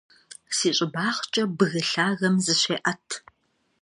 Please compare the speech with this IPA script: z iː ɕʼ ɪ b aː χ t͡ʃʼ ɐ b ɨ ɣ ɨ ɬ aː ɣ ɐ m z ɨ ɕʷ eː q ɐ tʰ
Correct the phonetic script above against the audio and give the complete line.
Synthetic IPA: s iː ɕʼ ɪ b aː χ t͡ʃʼ ɐ b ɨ ɣ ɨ ɬ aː ɣ ɐ m z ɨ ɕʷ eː ʔ ɐ tʰ